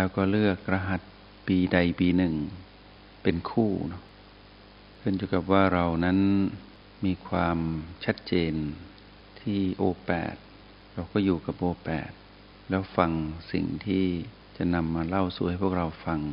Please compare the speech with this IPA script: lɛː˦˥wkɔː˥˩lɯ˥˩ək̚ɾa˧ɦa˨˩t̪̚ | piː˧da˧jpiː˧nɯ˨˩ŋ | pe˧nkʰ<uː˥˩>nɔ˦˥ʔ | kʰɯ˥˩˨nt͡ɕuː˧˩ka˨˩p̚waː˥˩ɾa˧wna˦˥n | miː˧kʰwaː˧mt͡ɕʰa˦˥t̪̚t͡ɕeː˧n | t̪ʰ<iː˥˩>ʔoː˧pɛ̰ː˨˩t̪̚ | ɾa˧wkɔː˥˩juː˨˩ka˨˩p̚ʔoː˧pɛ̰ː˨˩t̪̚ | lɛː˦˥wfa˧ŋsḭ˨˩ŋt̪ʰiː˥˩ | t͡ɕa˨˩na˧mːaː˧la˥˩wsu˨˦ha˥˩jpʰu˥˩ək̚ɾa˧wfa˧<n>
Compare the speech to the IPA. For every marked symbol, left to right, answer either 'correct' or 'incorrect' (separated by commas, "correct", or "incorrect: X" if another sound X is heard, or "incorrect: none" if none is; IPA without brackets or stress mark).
correct, correct, incorrect: ŋ